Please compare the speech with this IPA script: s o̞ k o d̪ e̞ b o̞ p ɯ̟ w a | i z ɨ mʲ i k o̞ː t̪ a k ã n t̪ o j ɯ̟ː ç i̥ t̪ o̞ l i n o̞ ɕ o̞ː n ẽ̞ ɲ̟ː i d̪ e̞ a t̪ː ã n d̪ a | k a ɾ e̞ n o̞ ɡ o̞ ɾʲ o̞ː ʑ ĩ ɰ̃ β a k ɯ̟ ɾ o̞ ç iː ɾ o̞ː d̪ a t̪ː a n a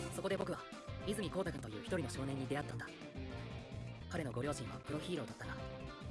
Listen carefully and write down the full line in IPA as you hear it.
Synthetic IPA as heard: s o̞ k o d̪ e̞ b o̞ k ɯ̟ β a | i z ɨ mʲ i k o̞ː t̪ a k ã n t̪ o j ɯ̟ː ç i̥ t̪ o̞ ɾ i n o̞ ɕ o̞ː n ẽ̞ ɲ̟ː i d̪ e̞ a t̪ː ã n d̪ a | k a ɾ e̞ n o̞ ɡ o̞ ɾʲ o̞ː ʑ ĩ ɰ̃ β a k ɯ̟ ɾ o̞ ç iː ɾ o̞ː d̪ a t̪ː a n a